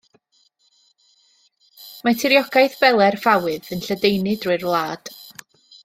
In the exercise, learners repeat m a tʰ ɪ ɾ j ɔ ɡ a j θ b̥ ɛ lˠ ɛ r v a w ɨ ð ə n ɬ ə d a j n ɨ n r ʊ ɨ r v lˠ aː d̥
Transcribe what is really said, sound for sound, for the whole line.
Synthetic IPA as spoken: m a tʰ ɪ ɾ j ɔ ɡ a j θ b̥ ɛ lˠ ɛ r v a w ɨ ð ə n ɬ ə d e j n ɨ d r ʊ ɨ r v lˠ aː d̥

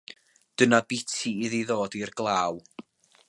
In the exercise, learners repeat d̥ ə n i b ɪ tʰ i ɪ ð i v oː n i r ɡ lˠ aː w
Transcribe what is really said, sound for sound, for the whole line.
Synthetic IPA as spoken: d̥ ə n a b ɪ tʰ i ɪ ð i ð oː d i r ɡ lˠ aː w

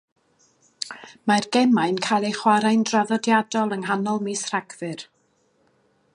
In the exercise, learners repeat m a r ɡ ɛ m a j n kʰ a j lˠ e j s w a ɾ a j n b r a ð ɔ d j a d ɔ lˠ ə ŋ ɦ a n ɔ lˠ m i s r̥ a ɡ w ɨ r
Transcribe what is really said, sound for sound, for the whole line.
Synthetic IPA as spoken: m a r ɡ ɛ m a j n kʰ a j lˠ e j χ w a ɾ a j n d r a ð ɔ d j a d ɔ lˠ ə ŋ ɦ a n ɔ lˠ m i s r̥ a ɡ v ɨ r

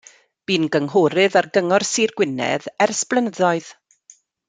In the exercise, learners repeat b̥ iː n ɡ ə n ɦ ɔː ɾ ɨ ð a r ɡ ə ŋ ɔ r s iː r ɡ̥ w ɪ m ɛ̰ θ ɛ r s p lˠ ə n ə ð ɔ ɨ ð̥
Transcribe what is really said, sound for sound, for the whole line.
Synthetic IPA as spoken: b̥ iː n ɡ ə ŋ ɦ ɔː ɾ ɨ ð a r ɡ ə ŋ ɔ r s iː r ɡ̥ w ɪ n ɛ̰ ð ɛ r s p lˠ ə n ə ð ɔ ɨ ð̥

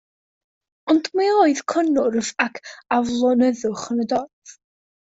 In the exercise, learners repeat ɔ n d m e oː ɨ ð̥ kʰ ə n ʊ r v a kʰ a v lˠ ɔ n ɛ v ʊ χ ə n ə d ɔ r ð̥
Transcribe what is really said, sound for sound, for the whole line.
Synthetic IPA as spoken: ɔ n d m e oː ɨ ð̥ kʰ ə n ʊ r v a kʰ a v lˠ ɔ n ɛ ð ʊ χ ə n ə d ɔ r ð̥

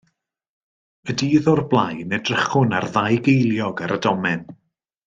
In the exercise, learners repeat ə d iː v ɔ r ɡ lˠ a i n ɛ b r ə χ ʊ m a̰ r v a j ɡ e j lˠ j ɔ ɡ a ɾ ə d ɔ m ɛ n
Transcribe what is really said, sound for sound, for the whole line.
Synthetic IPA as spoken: ə d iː ð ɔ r b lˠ a j n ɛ d r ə χ ʊ n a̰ r ð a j ɡ e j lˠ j ɔ ɡ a ɾ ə d ɔ m ɛ n

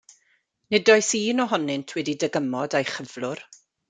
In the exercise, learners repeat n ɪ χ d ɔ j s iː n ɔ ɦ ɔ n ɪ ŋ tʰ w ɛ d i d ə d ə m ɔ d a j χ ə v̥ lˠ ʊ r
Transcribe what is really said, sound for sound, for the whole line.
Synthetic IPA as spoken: n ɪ d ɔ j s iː n ɔ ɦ ɔ n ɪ n tʰ w ɛ d i d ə ɡ ə m ɔ d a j χ ə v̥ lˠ ʊ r

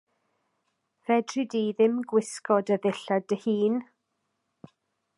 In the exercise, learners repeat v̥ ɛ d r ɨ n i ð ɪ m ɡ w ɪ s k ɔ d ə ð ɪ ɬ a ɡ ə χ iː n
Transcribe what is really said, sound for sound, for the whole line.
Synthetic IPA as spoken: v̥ ɛ d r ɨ d i ð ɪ m ɡ w ɪ s k ɔ d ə ð ɪ ɬ a d ə h iː n

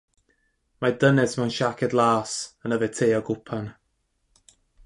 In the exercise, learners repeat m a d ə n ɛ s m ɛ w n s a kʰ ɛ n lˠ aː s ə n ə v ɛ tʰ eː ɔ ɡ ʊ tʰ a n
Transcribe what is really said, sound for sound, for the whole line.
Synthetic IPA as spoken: m a d ə n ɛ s m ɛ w n ʃ a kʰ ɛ d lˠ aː s ə n ə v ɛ tʰ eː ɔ ɡ ʊ pʰ a n

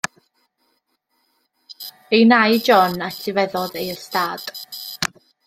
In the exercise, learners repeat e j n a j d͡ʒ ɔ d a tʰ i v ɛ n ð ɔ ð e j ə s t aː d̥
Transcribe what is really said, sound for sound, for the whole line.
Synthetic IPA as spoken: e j n a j d͡ʒ ɔ n a tʰ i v ɛ ð ɔ ð e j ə s t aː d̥

